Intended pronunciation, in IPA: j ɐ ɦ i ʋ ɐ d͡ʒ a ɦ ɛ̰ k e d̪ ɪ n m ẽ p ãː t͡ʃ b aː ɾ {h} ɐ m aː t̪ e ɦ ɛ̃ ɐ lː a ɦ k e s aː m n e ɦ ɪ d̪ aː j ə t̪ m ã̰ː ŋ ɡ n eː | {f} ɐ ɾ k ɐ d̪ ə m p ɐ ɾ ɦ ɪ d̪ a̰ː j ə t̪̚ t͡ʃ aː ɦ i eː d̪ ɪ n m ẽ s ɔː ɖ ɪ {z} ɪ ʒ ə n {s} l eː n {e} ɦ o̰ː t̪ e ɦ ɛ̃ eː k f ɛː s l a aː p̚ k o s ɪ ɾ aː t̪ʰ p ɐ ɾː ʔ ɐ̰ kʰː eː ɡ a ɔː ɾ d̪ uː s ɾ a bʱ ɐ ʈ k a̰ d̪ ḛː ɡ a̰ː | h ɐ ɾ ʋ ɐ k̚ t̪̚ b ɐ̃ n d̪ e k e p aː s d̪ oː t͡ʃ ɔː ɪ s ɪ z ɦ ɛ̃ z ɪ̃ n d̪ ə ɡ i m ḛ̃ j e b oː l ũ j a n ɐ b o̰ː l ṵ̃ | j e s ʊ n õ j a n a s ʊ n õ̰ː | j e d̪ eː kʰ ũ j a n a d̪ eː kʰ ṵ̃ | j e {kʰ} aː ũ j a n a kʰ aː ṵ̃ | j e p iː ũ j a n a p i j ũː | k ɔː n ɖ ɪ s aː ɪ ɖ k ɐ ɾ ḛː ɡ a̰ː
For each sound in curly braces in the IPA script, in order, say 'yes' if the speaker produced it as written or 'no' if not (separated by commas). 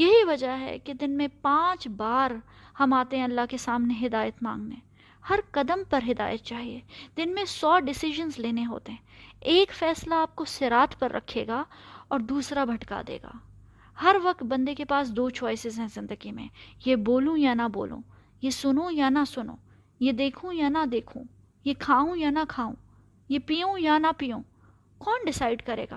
yes, no, no, no, yes, yes